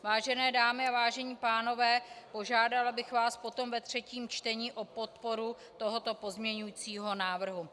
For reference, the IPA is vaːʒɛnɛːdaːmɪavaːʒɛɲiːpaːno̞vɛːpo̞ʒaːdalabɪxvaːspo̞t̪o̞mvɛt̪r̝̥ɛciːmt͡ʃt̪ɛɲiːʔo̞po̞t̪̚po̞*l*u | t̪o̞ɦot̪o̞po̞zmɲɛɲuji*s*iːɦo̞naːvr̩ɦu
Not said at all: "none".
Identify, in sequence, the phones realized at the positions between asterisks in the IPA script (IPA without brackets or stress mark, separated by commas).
ɾ, t͡s